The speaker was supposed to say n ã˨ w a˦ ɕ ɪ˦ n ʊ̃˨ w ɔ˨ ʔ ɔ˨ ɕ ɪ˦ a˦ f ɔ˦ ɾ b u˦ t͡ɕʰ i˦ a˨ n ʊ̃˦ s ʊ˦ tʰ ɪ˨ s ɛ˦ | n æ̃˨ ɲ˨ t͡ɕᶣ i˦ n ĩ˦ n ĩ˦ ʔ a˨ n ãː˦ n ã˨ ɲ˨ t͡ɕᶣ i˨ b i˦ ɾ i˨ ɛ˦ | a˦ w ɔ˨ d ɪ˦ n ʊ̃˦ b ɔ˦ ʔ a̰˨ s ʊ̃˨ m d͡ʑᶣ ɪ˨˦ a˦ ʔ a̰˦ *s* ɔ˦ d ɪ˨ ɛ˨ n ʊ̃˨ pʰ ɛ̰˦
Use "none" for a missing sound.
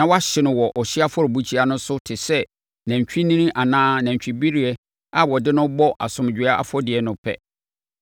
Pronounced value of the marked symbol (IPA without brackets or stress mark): f